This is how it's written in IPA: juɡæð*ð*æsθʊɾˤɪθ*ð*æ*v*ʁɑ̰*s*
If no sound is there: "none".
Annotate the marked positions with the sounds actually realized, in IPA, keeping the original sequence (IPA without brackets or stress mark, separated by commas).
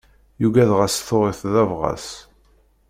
ʁ, ð, v, s